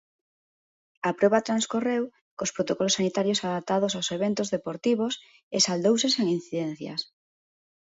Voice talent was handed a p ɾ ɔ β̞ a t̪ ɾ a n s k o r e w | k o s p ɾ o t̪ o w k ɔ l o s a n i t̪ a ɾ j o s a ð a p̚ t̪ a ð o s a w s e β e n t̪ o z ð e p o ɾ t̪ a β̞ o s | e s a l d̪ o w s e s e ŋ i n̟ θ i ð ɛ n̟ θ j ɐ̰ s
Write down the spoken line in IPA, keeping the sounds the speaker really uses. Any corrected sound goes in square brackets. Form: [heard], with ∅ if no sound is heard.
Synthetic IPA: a p ɾ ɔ β̞ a t̪ ɾ a n s k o r e w | k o s p ɾ o t̪ o [∅] k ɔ l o s a n i t̪ a ɾ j o s a ð a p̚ t̪ a ð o s a w s e β e n t̪ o z ð e p o ɾ t̪ [i] β̞ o s | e s a l d̪ o w s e s e ŋ i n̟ θ i ð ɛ n̟ θ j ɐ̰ s